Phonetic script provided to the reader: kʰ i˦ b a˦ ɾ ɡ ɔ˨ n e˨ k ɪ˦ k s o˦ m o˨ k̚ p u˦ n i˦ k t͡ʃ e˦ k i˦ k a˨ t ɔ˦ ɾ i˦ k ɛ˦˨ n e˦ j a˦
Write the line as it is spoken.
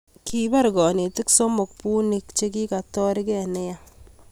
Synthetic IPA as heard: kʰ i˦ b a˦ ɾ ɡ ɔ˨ n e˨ t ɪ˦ k s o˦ m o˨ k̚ p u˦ n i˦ k t͡ʃ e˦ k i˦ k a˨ t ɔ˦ ɾ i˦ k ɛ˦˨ n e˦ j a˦